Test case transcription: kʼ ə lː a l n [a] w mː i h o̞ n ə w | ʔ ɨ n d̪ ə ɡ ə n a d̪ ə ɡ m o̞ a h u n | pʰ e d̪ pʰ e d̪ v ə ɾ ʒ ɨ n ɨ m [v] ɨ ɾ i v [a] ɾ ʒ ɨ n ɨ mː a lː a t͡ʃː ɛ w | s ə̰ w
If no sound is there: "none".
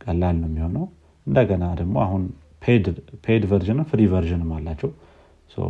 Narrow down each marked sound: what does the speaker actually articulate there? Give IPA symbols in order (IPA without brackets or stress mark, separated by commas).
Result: ə, f, ə